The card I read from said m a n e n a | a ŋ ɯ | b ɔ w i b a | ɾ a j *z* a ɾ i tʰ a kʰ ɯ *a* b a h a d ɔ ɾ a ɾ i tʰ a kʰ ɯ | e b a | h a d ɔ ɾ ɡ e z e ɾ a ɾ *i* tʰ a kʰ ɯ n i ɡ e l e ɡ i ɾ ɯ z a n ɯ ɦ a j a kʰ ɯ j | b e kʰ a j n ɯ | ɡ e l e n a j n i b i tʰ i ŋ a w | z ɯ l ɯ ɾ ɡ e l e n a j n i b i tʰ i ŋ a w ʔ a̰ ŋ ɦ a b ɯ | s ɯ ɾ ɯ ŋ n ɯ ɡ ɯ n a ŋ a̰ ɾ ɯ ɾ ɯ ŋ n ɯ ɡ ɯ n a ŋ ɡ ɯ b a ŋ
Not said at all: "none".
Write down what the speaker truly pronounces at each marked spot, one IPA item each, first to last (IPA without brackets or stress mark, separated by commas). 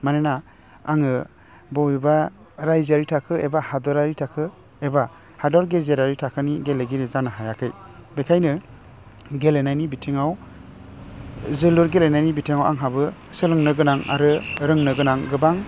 z, e, i